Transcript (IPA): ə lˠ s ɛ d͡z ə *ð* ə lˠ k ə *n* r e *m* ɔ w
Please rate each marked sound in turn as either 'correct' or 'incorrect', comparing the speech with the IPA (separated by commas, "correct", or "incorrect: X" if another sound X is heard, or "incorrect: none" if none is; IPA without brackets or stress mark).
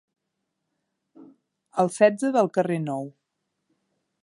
correct, incorrect: none, incorrect: n